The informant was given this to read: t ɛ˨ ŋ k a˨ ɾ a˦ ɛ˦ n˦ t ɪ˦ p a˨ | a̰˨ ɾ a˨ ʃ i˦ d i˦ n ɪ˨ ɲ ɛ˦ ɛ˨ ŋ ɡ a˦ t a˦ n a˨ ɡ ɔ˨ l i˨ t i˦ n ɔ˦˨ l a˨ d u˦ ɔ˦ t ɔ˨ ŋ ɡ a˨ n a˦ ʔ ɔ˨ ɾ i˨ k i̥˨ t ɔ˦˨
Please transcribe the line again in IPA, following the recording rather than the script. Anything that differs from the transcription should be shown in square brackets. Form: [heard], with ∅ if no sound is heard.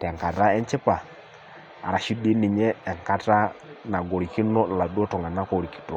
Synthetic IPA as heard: t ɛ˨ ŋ k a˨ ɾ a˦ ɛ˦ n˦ [t͡ʃ] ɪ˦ p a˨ | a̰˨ ɾ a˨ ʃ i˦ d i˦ n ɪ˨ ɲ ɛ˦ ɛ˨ ŋ [k] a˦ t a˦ n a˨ ɡ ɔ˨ [ɾ] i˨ [k] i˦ n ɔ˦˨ l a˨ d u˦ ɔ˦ t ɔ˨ ŋ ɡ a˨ n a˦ [k] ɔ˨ ɾ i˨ k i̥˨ t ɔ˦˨